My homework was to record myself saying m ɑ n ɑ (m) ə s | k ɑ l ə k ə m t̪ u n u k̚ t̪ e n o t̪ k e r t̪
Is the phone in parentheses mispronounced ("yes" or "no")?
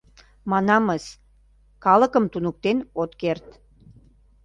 no